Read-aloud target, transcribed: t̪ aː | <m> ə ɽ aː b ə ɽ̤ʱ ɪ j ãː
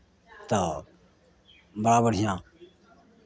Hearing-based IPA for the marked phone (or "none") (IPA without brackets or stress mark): b